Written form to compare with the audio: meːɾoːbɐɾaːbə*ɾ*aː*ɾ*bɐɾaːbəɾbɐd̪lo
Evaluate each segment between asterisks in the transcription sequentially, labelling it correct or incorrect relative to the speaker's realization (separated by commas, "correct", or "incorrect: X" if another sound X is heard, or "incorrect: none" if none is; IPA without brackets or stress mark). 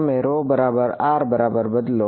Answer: correct, correct